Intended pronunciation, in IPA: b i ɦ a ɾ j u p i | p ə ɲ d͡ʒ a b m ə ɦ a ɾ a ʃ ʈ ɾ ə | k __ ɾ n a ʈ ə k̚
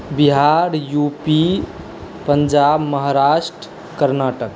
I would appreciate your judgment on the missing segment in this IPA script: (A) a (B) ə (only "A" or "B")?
B